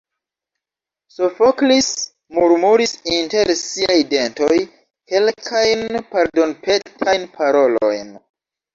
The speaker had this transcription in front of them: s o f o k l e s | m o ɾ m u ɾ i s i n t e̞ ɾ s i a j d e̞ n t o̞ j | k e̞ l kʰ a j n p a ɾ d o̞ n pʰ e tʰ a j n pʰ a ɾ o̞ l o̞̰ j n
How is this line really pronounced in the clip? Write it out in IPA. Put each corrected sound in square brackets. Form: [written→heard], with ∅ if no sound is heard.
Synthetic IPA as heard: s o f o k l [e→i] s | m [o→u] ɾ m u ɾ i s i n t e̞ ɾ s i a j d e̞ n t o̞ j | k e̞ l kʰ a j n p a ɾ d o̞ n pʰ e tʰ a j n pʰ a ɾ o̞ l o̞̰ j n